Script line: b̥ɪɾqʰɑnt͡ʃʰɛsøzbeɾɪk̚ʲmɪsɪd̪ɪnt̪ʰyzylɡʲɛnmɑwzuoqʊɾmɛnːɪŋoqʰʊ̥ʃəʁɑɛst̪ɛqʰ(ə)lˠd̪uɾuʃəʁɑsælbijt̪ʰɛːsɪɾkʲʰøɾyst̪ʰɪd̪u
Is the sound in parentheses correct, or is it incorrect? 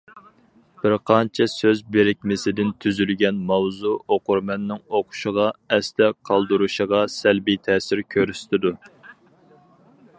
incorrect